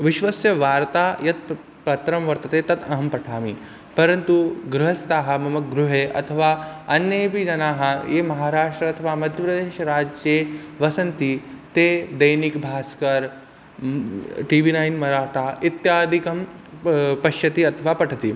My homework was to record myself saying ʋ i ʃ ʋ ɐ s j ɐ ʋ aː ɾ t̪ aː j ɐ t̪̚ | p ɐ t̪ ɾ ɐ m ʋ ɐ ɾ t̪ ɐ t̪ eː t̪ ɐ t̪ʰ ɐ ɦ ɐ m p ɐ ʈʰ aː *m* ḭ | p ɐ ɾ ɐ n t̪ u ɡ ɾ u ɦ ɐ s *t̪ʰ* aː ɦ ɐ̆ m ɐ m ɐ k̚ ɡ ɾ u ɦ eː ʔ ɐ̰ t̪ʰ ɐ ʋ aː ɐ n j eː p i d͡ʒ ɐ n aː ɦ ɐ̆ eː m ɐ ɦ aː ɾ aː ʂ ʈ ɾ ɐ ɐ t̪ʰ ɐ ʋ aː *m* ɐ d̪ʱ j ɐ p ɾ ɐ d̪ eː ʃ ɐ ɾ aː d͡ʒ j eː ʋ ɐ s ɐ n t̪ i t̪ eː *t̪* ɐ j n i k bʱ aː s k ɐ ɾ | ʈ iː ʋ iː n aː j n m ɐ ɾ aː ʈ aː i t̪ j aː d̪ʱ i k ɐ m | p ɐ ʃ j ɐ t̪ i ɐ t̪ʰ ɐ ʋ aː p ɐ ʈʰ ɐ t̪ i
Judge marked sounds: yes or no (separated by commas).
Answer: yes, no, yes, no